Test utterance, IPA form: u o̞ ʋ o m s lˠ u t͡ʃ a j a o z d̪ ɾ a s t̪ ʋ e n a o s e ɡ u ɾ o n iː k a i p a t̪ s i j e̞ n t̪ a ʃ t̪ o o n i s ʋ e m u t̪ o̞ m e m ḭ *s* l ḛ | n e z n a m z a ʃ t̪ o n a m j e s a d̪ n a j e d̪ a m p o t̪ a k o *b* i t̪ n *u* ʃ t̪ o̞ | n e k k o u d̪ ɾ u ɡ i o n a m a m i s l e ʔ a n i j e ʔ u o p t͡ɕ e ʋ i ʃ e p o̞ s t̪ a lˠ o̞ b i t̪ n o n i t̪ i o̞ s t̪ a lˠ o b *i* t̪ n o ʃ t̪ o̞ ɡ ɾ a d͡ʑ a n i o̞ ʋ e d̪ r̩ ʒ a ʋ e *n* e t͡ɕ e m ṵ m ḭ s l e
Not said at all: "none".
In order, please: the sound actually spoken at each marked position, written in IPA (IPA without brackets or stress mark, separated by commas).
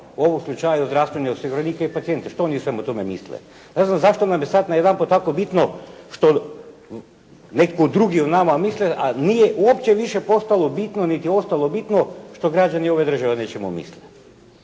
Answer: s, b, o, i, n